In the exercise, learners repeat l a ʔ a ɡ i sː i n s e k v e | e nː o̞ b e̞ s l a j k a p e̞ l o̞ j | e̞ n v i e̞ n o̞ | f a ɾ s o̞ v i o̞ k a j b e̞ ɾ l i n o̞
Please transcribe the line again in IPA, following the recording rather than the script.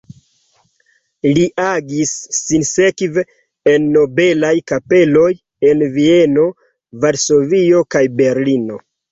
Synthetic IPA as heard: l i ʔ a ɡ i sː i n s e k v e | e nː o̞ b e̞ l a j k a p e̞ l o̞ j | e̞ n v i e̞ n o̞ | v a ɾ s o̞ v i o̞ k a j b e̞ ɾ l i n o̞